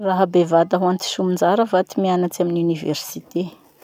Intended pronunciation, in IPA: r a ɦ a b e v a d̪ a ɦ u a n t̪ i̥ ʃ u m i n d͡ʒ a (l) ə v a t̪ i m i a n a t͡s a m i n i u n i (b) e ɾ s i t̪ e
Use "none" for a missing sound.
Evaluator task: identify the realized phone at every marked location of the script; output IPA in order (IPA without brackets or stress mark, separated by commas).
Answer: ɾ, v